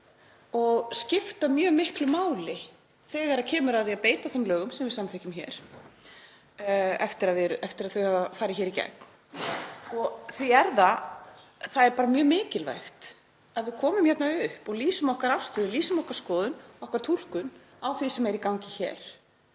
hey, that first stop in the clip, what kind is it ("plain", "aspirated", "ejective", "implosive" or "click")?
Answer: plain